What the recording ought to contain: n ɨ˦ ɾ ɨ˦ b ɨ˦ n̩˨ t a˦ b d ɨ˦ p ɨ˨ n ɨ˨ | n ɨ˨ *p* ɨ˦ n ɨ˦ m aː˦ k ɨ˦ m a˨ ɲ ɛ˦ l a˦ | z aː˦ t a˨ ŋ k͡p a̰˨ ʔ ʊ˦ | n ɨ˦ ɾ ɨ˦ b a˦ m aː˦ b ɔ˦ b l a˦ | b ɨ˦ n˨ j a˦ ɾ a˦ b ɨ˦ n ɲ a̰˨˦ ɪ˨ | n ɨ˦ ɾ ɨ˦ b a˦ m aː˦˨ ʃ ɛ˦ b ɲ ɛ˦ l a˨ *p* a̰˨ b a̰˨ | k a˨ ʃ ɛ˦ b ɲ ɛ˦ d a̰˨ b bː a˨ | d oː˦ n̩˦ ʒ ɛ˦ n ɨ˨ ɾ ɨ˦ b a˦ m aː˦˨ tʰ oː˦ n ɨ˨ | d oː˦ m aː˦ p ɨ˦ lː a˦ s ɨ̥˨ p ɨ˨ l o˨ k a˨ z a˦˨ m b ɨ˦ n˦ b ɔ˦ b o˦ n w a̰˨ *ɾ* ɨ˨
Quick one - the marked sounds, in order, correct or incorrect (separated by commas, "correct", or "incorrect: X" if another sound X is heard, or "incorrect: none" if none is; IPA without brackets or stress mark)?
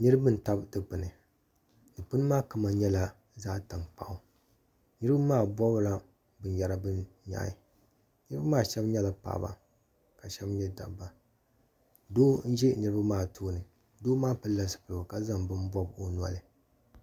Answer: correct, correct, incorrect: l